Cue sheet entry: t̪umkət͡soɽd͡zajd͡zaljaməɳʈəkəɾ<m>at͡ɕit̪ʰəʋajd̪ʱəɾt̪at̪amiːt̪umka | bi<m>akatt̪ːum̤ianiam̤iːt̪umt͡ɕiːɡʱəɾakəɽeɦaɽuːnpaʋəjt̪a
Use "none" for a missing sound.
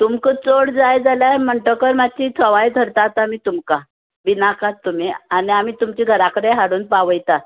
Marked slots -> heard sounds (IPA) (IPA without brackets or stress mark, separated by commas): m, n